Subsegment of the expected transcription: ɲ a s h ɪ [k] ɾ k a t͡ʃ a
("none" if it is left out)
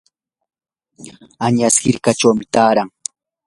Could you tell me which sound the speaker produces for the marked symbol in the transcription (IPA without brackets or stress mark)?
none